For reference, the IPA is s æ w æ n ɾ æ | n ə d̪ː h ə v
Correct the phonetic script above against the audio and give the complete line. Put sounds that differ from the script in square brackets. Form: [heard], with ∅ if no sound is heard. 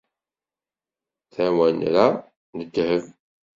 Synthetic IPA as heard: [θ] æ w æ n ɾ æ | n ə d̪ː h ə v